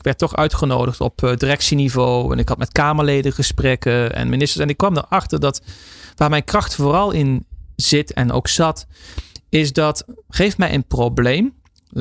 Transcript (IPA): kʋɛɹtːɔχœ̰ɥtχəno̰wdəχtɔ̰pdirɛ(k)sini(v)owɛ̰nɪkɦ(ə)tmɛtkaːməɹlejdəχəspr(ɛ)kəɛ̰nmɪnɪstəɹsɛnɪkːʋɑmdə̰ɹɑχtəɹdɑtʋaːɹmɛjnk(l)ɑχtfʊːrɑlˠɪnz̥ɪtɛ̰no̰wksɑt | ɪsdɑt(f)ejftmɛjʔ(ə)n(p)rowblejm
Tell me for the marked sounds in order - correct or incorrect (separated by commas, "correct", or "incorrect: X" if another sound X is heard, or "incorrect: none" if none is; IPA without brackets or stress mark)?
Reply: correct, correct, incorrect: ɑ, correct, incorrect: r, incorrect: χ, correct, correct